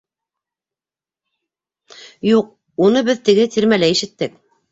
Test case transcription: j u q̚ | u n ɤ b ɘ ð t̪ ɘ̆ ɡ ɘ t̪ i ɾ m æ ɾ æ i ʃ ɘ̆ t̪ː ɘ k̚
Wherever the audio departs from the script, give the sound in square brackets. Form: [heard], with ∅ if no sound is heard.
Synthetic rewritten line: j u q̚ | u n ɤ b ɘ ð t̪ ɘ̆ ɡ ɘ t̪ i ɾ m æ [l] æ i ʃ ɘ̆ t̪ː ɘ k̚